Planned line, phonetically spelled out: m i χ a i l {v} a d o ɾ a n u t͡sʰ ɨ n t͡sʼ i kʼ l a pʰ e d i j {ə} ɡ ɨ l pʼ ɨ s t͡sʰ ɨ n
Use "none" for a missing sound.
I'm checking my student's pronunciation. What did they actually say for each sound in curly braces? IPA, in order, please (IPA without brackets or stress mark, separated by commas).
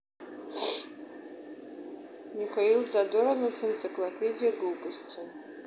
z, a